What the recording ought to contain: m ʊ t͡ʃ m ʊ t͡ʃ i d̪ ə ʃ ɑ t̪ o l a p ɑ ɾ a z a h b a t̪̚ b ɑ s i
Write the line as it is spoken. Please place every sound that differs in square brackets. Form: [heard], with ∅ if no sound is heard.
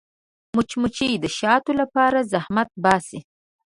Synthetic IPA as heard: m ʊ t͡ʃ m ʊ t͡ʃ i d̪ ə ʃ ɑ t̪ o l a p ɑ ɾ a z a h [m] a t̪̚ b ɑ s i

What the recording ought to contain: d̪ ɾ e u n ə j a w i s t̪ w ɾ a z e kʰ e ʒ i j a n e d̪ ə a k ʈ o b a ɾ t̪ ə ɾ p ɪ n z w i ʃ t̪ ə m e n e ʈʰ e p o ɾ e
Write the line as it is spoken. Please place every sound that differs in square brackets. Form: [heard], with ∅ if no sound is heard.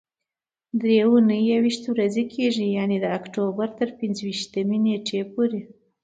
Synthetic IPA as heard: d̪ ɾ e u n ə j a w i [ʃ] t̪ w ɾ a z e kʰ e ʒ i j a n e d̪ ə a k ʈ o b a ɾ t̪ ə ɾ p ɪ n z w i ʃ t̪ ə m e n e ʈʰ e p o ɾ e

